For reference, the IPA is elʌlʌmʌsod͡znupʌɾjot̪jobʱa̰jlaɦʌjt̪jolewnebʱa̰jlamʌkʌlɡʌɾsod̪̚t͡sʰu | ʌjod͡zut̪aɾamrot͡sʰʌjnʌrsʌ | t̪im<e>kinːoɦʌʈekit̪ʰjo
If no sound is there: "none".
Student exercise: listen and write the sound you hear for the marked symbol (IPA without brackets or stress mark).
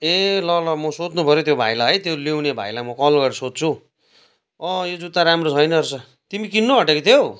i